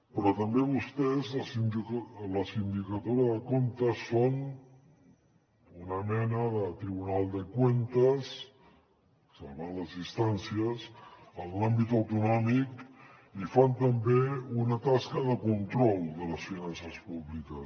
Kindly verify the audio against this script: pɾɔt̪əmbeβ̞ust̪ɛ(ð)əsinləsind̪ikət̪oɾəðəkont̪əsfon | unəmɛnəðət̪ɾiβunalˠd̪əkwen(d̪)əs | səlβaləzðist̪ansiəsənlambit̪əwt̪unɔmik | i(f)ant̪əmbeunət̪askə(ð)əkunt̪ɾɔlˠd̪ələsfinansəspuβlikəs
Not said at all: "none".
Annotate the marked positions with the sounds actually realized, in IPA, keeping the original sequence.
z, t̪, f, ð

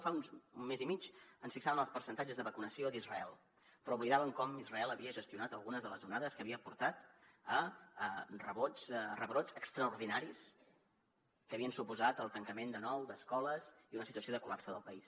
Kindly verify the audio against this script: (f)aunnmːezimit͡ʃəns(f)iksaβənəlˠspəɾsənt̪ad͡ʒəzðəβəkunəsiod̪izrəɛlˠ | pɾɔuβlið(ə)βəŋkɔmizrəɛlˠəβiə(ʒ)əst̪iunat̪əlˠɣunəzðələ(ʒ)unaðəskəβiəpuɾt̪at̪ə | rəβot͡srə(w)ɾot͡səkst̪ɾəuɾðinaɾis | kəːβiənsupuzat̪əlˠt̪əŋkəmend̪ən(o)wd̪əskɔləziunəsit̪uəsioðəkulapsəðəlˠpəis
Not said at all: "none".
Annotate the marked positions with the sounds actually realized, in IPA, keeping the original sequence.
f, f, a, ʒ, z, β, ɔ

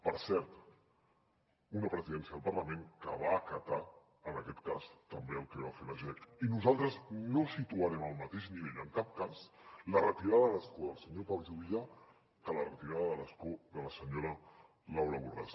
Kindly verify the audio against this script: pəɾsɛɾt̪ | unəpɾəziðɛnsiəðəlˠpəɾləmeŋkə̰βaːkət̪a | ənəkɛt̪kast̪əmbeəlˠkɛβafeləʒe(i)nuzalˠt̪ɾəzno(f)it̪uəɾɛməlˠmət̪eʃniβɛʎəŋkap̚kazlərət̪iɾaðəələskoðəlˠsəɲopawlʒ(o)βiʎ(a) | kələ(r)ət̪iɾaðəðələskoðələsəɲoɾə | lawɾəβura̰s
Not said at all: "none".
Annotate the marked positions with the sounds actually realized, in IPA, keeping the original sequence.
i, s, u, a, r

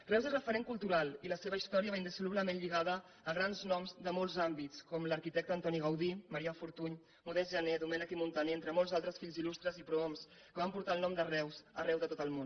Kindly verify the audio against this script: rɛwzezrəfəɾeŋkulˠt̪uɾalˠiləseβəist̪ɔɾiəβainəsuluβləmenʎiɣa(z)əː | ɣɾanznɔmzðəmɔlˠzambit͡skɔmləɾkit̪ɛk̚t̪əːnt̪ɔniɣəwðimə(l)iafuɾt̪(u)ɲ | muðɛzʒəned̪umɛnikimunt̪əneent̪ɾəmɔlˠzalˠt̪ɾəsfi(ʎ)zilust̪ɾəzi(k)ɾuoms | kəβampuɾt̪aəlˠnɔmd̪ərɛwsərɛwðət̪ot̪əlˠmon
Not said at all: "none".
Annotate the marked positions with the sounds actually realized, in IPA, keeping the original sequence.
ð, ɾ, u, ʎ, p

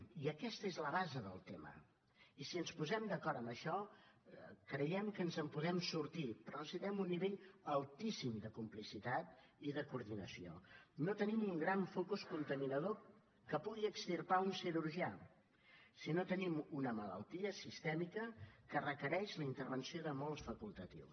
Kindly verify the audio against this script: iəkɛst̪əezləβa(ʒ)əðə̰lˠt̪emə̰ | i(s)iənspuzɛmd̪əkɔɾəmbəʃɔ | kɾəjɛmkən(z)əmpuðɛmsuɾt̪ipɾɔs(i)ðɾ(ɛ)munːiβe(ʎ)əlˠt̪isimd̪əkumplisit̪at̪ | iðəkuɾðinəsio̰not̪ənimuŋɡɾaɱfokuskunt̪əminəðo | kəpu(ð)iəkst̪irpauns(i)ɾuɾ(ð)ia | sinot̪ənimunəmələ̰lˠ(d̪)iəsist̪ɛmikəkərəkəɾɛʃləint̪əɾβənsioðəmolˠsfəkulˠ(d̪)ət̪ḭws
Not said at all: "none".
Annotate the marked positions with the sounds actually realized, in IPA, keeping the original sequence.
z, s, z, i, ɛ, ʎ, ɣ, i, ʒ, t̪, t̪

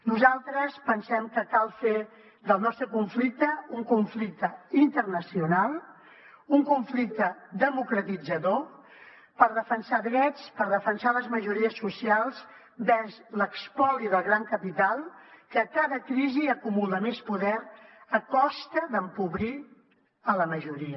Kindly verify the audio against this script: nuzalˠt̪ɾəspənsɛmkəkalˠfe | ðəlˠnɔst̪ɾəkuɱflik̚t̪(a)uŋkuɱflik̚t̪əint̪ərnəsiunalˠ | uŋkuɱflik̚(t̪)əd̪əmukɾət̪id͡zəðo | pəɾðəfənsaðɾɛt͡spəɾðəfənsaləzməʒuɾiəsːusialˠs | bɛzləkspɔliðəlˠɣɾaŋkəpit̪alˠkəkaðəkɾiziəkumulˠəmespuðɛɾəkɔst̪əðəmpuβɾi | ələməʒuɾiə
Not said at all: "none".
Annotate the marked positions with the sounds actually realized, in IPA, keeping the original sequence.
ə, t̪

